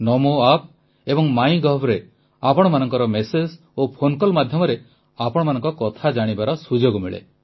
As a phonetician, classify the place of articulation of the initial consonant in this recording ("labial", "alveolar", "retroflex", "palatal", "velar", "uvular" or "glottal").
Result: alveolar